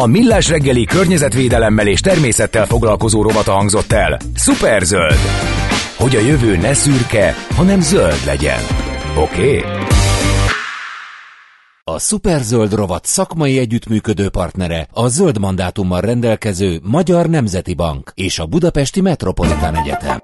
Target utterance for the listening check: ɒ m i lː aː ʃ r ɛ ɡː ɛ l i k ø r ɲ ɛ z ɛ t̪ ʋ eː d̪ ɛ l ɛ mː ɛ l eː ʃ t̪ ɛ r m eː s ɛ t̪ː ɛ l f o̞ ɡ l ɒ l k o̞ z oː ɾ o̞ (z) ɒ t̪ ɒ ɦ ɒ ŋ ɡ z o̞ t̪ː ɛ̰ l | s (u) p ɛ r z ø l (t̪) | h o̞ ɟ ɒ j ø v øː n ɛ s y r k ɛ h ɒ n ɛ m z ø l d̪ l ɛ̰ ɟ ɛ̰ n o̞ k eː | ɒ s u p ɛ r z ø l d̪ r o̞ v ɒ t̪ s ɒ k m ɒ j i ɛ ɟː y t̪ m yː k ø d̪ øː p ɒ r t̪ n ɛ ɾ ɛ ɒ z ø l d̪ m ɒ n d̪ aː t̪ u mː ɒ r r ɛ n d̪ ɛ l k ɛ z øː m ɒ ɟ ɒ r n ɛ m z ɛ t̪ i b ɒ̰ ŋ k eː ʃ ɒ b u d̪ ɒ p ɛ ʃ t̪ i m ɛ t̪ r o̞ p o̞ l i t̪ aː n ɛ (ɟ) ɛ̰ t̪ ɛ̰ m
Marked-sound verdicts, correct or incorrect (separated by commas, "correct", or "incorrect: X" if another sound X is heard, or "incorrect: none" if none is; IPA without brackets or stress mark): incorrect: v, correct, incorrect: d̪, correct